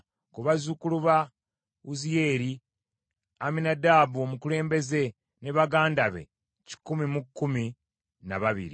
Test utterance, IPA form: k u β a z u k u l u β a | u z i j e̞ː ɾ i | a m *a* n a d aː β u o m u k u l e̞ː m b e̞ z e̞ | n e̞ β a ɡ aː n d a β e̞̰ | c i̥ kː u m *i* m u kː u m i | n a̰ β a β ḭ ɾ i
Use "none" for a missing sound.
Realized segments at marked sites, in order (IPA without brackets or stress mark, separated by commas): i, i